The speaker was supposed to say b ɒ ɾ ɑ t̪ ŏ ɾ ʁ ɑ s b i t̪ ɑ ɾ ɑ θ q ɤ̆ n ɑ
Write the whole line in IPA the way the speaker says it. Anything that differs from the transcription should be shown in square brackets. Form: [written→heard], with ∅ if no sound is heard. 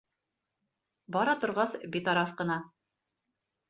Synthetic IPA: b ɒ ɾ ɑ t̪ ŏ ɾ ʁ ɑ s b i t̪ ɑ ɾ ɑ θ q ɤ̆ n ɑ